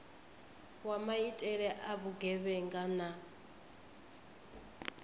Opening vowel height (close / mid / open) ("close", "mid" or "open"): open